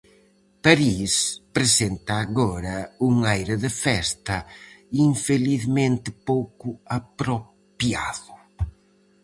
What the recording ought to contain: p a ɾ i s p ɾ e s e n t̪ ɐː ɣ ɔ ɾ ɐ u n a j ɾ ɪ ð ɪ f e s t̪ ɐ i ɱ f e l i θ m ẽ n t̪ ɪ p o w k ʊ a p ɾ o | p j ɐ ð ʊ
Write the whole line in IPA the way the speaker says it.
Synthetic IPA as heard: p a ɾ i s p ɾ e s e n t̪ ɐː ɣ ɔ ɾ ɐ u ŋ a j ɾ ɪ ð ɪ f ɛ s t̪ ɐ i ɱ f e l i θ m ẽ n t̪ ɪ p o w k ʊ a p ɾ o | p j a ð ʊ